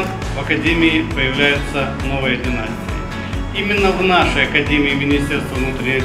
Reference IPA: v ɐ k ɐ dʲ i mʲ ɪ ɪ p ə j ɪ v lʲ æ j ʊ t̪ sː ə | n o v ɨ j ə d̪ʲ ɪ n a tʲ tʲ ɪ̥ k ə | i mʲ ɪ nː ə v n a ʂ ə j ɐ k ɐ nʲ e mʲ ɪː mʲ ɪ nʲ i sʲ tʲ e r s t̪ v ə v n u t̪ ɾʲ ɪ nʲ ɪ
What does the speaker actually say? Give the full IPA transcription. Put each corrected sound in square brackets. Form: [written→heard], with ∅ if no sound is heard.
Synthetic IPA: v ɐ k ɐ dʲ [i→e] mʲ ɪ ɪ p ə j ɪ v lʲ æ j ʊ t̪ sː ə | n o v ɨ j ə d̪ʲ ɪ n a [tʲ→sʲ] tʲ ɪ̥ k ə | i mʲ ɪ nː ə v n a ʂ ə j ɐ k ɐ [nʲ→dʲ] e mʲ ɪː mʲ ɪ nʲ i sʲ tʲ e r s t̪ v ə v n u t̪ ɾʲ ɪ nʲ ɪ